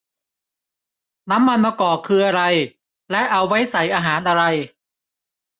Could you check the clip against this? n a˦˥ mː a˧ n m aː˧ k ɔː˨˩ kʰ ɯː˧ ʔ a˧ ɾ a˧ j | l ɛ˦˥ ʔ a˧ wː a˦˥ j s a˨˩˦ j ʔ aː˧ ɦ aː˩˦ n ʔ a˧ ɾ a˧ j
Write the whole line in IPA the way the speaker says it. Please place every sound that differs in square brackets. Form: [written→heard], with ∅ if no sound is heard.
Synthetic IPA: n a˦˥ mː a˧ n m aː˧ k ɔː˨˩ kʰ ɯː˧ ʔ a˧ ɾ a˧ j | l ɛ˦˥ ʔ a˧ wː a˦˥ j s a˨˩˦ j ʔ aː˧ ɦ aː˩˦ n ʔ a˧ ɾ a˧ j